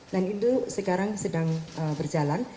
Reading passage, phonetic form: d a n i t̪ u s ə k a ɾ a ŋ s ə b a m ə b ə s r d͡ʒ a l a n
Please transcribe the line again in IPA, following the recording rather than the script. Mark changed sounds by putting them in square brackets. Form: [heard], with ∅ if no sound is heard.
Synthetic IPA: d a n i t̪ u s ə k a ɾ a ŋ s ə [d] a [ŋ] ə b ə [∅] r d͡ʒ a l a n